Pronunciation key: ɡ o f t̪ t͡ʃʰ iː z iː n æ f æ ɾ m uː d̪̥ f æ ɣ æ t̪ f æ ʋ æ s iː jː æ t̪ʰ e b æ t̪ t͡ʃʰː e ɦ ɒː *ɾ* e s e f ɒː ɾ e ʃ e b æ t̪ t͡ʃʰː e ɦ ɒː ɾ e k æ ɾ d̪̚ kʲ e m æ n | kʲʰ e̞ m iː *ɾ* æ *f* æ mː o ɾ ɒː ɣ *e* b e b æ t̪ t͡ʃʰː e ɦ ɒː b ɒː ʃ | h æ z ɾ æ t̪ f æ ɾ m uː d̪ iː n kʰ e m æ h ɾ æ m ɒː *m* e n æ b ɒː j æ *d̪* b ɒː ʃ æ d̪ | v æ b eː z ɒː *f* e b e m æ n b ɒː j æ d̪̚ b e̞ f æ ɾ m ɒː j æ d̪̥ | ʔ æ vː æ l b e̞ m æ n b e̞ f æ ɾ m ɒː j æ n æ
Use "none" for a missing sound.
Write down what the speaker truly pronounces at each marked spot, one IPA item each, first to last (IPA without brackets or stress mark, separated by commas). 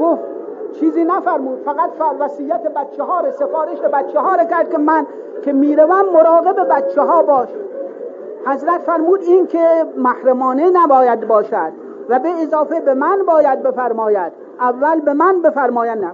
ɾ, ɾ, v, e, n, d̪, f